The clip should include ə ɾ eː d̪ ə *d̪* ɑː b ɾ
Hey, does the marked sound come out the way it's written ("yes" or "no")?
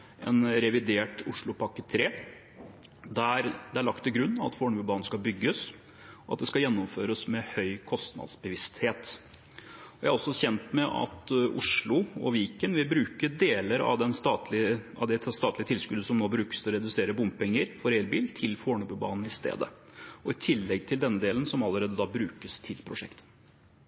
yes